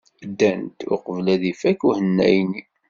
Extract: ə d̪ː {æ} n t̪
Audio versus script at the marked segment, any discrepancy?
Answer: no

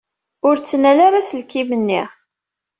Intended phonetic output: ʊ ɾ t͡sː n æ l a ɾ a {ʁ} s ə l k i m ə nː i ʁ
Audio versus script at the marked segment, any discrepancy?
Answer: yes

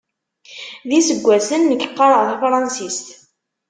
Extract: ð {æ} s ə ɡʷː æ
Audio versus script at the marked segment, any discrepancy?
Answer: yes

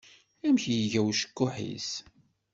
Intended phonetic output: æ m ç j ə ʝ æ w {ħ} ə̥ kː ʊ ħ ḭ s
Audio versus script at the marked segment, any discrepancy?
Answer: yes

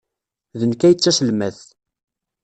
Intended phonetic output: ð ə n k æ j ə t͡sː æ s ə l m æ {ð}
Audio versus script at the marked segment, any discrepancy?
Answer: yes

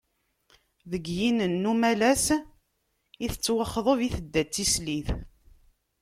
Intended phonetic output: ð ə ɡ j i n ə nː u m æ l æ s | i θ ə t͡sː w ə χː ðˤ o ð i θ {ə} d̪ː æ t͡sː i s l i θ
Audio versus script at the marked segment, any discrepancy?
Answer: no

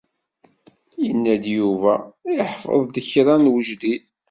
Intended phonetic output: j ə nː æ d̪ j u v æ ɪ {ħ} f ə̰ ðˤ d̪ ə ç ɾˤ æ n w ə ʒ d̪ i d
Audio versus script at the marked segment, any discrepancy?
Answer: no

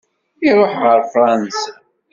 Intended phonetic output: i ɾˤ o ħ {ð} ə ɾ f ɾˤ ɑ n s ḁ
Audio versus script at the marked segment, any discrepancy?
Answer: yes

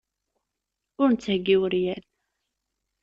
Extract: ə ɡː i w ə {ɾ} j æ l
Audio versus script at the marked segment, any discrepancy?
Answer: no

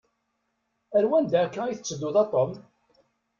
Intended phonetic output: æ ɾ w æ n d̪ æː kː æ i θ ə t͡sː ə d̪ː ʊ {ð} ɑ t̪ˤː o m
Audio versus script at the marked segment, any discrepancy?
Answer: no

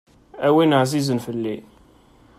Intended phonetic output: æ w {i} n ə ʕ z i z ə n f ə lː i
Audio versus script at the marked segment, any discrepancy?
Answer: no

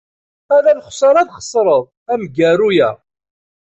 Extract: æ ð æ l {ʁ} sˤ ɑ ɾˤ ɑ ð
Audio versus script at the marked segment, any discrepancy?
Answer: yes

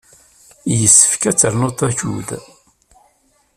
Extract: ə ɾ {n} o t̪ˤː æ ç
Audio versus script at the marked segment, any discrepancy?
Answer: no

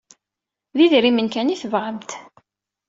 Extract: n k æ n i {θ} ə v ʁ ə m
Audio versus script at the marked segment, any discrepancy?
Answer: no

